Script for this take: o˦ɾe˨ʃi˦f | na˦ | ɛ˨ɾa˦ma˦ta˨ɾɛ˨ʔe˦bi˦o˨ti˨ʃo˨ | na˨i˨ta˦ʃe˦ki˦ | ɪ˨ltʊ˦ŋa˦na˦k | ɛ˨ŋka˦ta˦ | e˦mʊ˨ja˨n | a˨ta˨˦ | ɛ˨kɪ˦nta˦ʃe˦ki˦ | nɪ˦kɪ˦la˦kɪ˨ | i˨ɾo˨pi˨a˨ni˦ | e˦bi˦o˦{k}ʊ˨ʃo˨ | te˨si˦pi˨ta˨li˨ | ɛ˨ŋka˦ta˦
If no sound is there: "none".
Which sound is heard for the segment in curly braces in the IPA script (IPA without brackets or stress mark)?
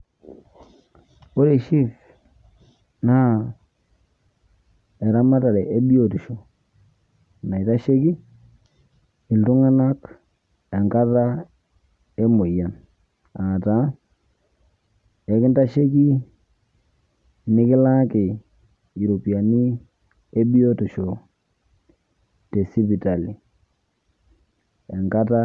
t